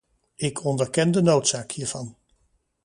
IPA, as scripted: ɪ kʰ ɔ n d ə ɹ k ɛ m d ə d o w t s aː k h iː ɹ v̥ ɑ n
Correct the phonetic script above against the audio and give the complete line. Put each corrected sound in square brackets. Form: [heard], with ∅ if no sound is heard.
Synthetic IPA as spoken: ɪ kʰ ɔ n d ə ɹ k ɛ [n] d ə [n] o w t s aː k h iː ɹ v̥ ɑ n